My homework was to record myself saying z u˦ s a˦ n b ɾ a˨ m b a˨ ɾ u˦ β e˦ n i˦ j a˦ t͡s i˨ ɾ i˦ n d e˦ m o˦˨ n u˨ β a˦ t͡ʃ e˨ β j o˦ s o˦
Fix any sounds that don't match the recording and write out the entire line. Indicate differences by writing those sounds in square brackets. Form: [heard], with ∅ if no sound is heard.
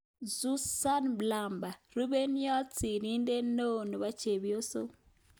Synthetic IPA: z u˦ s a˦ n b [l] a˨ m b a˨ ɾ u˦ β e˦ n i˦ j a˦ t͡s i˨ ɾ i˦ n d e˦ [n] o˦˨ n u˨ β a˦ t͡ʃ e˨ β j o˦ s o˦